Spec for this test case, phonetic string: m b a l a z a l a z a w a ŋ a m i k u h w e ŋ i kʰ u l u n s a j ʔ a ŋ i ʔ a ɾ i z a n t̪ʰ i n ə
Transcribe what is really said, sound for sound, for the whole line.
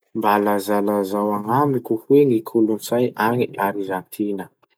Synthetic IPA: m b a l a z a l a z a w a ŋ a m i k u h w e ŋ i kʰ u l u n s a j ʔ a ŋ i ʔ a ɾ i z a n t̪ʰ i n ə